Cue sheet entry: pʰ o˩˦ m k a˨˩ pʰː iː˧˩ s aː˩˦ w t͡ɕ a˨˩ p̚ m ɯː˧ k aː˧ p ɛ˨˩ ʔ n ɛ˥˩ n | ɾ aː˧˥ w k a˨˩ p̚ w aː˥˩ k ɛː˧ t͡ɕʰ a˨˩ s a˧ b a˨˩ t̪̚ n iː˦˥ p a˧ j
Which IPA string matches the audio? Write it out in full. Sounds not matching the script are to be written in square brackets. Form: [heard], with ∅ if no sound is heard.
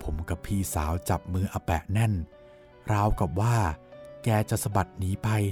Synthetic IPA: pʰ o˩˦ m k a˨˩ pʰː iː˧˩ s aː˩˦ w t͡ɕ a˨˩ p̚ m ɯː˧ [ʔ] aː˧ p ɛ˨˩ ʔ n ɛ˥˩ n | ɾ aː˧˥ w k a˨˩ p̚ w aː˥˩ k ɛː˧ [t͡ɕ] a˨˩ s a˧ b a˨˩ t̪̚ n iː˦˥ p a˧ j